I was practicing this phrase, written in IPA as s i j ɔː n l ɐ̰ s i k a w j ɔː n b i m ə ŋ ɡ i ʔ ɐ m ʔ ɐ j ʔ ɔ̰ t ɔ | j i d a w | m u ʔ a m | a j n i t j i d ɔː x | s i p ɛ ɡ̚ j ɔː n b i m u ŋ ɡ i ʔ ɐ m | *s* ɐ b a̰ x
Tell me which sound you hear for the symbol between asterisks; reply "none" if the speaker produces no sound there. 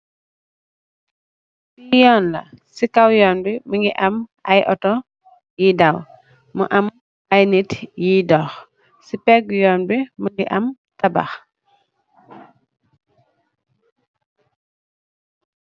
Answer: t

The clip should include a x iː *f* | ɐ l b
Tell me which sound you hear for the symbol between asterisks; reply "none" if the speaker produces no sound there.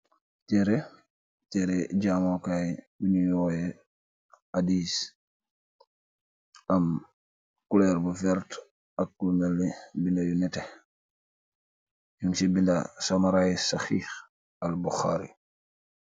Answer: x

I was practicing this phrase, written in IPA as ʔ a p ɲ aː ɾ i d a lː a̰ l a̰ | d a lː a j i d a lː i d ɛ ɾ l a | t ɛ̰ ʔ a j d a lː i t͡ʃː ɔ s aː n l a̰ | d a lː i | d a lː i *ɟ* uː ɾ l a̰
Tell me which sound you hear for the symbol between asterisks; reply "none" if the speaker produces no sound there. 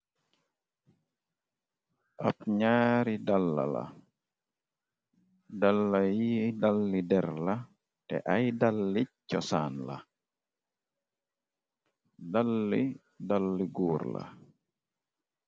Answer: ɡ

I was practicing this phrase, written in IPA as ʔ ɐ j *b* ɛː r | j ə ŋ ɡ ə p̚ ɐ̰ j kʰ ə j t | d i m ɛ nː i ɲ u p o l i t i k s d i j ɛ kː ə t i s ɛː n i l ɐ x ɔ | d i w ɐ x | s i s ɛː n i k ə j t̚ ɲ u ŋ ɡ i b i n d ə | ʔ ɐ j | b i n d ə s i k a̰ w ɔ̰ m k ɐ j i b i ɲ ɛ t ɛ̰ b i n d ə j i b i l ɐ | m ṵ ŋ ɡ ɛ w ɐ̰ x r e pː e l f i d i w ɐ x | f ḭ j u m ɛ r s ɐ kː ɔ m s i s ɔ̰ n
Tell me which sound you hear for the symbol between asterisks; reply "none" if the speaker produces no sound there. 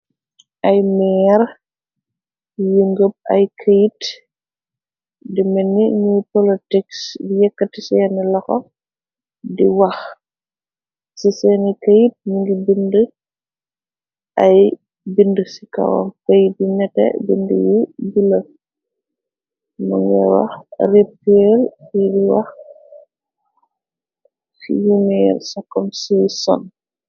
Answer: m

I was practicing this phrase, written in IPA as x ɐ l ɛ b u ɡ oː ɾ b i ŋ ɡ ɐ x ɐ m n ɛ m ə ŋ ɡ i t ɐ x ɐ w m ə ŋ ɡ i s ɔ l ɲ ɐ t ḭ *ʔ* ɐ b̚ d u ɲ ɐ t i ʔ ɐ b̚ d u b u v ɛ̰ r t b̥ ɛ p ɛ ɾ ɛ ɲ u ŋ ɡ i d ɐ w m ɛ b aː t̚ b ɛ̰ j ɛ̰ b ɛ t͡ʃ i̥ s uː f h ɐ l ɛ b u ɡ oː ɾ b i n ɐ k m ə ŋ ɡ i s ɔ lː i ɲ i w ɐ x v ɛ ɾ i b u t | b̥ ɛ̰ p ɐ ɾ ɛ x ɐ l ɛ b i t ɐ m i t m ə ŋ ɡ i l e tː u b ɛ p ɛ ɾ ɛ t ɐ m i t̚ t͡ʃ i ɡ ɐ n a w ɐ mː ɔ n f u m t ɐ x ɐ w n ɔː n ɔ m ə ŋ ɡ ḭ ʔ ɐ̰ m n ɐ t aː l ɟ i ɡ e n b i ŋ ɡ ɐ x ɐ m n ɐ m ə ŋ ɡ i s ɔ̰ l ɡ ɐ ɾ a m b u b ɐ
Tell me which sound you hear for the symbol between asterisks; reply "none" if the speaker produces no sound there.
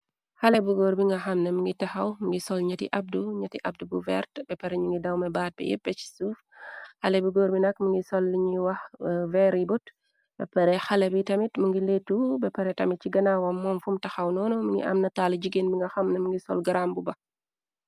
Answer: ʔ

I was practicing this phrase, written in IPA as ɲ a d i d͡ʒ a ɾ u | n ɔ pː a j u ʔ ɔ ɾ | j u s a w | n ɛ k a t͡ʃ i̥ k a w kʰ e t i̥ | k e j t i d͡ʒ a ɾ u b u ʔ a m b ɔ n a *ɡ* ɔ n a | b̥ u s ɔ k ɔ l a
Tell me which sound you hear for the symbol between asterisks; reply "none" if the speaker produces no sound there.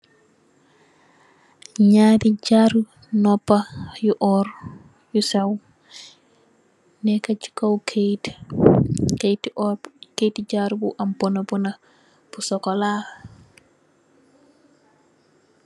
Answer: b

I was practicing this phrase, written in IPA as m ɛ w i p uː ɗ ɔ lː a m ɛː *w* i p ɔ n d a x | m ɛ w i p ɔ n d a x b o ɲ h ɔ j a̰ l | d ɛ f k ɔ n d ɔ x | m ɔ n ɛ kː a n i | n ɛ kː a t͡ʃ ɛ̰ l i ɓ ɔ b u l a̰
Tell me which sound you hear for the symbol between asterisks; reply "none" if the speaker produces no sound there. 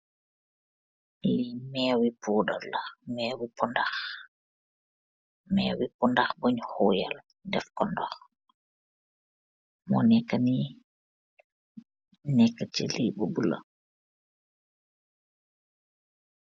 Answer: w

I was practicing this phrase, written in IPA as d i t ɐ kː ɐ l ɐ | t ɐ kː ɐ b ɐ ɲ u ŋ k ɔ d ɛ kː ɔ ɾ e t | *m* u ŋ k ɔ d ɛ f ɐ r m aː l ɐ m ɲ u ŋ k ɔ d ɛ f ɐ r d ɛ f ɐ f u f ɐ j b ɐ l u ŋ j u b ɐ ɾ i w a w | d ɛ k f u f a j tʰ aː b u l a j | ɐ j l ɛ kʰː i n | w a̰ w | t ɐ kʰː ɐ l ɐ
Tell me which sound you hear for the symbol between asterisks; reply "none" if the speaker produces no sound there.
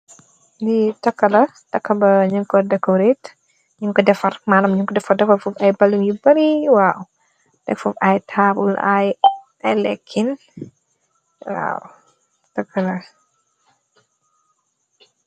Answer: ɲ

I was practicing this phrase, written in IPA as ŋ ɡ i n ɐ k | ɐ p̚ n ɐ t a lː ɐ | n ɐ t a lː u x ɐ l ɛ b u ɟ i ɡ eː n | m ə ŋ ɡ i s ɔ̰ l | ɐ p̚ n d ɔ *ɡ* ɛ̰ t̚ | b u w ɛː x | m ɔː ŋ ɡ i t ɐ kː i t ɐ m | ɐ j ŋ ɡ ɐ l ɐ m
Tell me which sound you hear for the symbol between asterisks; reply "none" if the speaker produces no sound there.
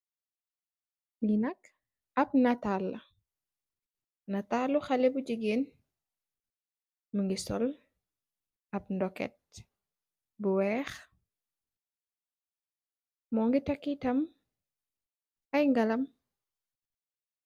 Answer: k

